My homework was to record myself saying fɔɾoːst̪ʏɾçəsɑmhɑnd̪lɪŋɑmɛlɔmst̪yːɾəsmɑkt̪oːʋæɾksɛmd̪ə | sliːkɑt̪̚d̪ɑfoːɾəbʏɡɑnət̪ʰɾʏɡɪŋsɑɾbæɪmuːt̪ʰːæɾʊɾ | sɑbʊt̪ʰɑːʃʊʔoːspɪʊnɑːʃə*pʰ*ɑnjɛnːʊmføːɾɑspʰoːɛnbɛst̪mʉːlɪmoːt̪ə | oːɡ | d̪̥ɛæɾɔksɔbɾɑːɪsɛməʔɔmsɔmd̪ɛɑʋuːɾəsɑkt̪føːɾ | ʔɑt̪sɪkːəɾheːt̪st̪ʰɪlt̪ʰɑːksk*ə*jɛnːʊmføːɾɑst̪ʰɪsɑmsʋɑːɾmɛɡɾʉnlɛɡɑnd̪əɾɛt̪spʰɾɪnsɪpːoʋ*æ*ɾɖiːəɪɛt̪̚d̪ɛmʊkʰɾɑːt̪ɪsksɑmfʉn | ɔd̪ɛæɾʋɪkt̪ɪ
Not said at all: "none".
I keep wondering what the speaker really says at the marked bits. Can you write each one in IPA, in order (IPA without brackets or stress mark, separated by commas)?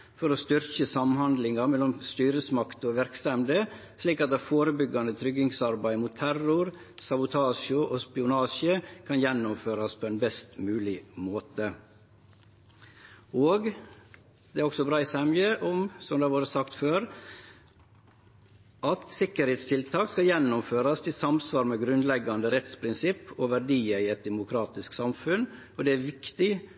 kʰ, ɑ, æ